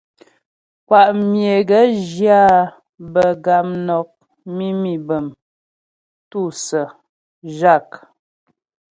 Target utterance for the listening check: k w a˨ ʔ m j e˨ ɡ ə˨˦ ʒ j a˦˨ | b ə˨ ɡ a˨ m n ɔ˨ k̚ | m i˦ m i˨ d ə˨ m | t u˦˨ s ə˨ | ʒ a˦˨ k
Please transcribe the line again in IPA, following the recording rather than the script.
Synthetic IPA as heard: k w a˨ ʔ m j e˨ ɡ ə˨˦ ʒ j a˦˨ | b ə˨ ɡ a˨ m n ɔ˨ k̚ | m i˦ m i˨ b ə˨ m | t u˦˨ s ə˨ | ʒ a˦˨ k